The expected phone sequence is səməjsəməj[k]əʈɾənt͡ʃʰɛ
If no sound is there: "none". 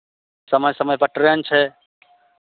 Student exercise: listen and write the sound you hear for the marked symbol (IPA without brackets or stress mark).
p